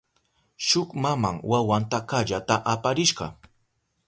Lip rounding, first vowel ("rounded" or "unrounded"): rounded